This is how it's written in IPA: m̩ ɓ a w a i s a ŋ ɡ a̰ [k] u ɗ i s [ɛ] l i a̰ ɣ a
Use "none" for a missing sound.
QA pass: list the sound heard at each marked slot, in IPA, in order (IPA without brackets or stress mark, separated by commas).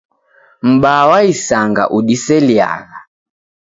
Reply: ʔ, ɛ